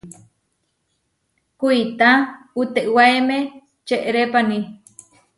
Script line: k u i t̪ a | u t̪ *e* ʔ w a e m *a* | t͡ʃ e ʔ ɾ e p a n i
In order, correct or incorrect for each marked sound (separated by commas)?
correct, incorrect